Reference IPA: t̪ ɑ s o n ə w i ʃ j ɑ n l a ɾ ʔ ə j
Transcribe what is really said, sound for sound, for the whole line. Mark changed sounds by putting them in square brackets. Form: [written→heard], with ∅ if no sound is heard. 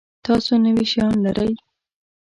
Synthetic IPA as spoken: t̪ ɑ s o n ə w i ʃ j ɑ n l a ɾ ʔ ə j